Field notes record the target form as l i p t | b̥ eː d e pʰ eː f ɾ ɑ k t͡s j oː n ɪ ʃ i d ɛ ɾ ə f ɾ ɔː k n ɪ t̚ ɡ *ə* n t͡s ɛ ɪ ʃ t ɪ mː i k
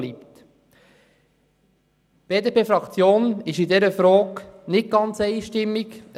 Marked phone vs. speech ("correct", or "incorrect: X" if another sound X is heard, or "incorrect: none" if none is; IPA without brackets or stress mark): incorrect: ɑ